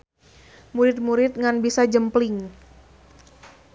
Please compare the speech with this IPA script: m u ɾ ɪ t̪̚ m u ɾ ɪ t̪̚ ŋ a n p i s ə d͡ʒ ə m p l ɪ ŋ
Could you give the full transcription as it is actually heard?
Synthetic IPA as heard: m u ɾ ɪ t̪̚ m u ɾ ɪ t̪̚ ŋ a n b i s a d͡ʒ ə m p l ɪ ŋ